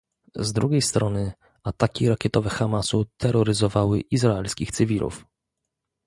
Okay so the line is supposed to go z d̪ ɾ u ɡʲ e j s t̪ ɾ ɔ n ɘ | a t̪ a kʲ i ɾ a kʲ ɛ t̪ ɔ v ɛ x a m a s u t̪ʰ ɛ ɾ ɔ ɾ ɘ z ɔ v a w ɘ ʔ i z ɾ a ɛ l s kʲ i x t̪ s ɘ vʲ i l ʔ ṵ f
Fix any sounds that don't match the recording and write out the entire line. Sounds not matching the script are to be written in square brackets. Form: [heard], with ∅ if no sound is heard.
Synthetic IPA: z d̪ ɾ u ɡʲ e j s t̪ ɾ ɔ n ɘ | a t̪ a kʲ i ɾ a kʲ ɛ t̪ ɔ v ɛ x a m a s u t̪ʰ ɛ ɾ ɔ ɾ ɘ z ɔ v a w ɘ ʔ i z ɾ a ɛ l s kʲ i x t̪ s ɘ vʲ i l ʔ ṵ f